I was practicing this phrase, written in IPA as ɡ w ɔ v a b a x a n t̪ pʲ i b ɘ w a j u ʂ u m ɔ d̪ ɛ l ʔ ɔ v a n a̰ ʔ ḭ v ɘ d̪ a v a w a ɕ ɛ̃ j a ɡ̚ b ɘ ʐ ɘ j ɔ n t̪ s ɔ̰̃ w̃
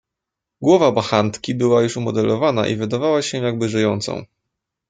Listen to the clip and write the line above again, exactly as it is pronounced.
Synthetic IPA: ɡ w ɔ v a b a x a n t̪ kʲ i b ɘ w a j u ʂ u m ɔ d̪ ɛ l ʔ ɔ v a n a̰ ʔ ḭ v ɘ d̪ a v a w a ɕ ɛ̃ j a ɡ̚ b ɘ ʐ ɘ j ɔ n t̪ s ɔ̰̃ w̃